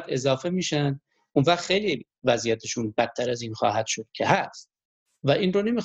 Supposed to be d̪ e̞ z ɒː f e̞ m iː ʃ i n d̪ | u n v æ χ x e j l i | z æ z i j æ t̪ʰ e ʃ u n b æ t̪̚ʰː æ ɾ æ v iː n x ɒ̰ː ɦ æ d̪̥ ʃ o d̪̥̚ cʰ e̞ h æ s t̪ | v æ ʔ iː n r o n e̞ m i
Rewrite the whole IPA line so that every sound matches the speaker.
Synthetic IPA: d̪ e̞ z ɒː f e̞ m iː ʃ æ n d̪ | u n v æ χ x e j l i | v æ z i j æ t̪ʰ e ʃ u n b æ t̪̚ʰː æ ɾ æ z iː n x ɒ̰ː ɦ æ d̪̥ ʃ o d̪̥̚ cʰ e̞ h æ s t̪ | v æ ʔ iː n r o n e̞ m i